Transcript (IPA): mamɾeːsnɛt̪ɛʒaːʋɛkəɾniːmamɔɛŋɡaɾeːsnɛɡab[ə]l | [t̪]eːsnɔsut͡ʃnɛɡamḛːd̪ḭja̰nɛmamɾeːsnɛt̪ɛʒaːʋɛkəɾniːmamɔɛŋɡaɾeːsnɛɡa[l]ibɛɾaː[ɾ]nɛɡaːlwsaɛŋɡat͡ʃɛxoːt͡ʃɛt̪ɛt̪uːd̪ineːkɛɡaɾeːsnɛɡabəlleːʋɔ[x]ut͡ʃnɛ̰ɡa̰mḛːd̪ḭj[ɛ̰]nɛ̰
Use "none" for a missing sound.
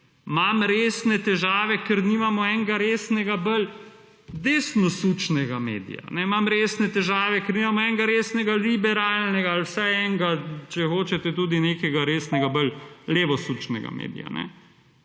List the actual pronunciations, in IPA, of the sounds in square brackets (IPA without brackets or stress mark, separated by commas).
ə, d̪, l, l, s, a̰